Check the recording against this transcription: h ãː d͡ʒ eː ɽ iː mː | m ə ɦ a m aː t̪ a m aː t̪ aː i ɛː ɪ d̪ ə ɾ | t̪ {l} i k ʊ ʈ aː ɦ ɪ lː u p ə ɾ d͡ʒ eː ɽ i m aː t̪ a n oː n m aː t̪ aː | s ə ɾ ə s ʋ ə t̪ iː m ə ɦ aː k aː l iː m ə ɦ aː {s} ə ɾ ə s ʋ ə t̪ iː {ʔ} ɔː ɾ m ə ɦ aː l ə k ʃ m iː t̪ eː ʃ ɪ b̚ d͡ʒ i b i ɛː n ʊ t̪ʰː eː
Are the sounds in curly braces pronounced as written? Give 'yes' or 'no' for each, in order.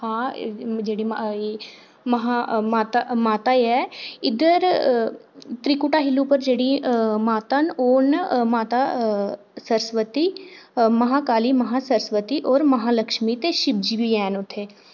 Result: no, yes, yes

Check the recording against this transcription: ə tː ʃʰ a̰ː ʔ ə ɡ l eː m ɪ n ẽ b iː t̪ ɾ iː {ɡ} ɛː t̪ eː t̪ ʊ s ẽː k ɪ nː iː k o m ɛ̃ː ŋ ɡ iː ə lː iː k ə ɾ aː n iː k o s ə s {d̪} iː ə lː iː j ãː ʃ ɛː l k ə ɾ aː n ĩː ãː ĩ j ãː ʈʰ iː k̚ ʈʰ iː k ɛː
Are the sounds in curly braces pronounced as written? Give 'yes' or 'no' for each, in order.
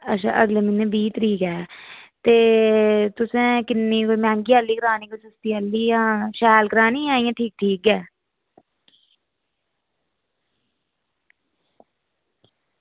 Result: no, no

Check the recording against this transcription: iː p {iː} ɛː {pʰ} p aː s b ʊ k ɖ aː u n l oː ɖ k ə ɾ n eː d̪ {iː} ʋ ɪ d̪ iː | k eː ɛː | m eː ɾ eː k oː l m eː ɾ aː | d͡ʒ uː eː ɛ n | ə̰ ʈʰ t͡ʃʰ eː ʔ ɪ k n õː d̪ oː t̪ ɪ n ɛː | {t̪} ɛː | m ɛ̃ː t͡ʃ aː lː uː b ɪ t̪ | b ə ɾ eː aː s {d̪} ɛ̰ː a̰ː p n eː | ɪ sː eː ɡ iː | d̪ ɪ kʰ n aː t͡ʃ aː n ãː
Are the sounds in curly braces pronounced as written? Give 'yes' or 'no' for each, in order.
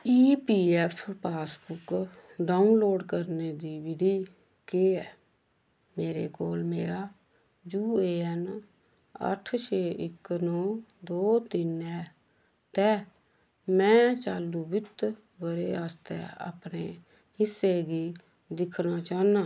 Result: yes, yes, yes, yes, no

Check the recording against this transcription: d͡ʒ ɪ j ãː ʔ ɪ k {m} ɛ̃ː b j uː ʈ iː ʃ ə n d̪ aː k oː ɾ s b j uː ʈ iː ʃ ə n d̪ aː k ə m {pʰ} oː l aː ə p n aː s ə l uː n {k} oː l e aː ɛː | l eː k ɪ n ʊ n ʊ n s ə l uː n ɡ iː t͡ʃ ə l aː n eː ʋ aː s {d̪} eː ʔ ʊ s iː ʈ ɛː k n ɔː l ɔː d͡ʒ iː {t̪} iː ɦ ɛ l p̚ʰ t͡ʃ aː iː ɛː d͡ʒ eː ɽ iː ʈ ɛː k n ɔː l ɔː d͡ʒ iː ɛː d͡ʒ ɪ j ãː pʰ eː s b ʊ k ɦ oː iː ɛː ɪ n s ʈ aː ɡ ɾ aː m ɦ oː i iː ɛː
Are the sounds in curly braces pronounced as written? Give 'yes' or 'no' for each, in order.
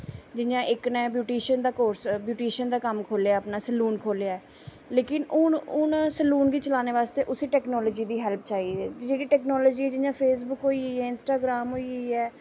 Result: no, no, no, no, no

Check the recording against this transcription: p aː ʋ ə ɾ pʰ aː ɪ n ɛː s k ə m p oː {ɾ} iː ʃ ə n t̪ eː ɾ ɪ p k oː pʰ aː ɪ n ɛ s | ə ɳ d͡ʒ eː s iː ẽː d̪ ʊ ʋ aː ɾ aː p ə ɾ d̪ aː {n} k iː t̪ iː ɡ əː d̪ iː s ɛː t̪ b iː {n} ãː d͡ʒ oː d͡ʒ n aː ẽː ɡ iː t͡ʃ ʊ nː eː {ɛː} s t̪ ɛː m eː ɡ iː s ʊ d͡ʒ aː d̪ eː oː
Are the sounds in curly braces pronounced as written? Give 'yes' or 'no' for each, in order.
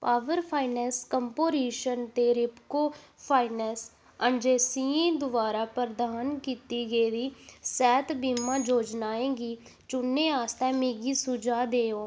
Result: yes, yes, no, no

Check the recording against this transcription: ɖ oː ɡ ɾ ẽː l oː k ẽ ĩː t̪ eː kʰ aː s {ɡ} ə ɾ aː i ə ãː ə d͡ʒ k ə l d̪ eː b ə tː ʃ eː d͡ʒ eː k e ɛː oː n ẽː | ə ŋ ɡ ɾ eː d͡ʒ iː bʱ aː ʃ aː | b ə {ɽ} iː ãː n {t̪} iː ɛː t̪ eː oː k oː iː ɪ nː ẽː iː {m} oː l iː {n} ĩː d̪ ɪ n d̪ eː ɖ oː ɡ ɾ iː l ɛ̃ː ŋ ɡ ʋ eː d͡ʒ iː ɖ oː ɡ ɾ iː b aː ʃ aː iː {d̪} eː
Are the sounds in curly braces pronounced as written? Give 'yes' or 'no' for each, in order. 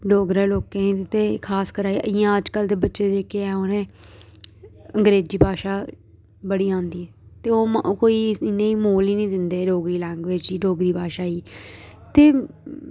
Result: no, yes, no, yes, yes, no

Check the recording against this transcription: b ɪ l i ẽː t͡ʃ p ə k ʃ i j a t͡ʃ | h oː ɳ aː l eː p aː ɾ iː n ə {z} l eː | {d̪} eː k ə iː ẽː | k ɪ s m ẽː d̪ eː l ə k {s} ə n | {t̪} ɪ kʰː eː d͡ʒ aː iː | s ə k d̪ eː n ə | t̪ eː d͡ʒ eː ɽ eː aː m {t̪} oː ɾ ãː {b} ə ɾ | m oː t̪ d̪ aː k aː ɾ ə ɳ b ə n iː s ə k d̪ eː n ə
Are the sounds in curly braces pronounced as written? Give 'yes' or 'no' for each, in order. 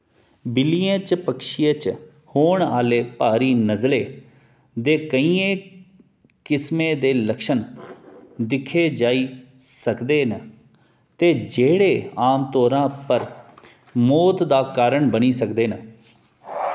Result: yes, yes, no, no, yes, no

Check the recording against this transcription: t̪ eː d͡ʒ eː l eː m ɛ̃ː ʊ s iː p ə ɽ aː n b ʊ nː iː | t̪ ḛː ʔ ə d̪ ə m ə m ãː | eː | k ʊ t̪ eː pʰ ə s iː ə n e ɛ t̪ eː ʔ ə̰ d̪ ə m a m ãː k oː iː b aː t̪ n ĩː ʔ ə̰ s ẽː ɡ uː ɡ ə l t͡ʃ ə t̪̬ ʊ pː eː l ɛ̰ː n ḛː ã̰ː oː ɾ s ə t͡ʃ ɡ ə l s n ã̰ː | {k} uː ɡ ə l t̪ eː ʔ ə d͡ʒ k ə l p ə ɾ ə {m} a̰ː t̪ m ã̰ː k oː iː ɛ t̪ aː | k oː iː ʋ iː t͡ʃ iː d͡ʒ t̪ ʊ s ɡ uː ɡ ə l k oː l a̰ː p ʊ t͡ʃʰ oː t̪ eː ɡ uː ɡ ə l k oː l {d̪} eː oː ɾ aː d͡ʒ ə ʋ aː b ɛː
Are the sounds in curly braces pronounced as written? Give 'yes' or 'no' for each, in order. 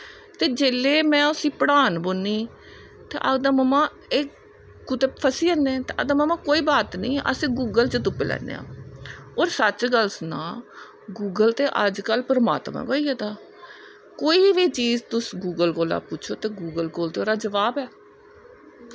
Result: no, yes, no

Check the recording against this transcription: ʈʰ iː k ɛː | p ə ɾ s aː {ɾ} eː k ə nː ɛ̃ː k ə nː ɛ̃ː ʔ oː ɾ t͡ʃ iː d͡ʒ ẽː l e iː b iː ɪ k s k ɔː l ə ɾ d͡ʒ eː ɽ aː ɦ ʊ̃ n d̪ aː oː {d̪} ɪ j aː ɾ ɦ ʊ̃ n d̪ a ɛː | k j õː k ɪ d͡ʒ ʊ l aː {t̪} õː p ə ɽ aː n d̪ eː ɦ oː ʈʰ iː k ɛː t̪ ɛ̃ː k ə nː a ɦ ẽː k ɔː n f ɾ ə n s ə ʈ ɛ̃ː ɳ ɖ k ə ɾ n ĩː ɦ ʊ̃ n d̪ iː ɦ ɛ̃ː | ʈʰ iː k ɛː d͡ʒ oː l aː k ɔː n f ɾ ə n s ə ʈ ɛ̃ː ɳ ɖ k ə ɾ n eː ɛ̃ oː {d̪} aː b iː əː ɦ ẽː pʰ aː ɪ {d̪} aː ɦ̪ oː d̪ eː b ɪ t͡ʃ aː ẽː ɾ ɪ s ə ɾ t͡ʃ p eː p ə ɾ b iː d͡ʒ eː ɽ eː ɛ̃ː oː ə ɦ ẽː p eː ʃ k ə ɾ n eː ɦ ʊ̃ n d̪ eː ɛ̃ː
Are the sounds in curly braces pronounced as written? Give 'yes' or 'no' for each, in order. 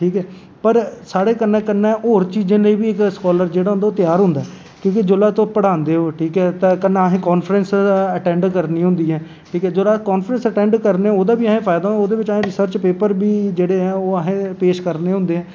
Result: no, no, yes, yes, yes

